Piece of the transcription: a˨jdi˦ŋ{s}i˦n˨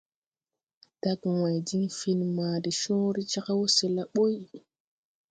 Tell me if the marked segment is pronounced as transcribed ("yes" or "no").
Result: no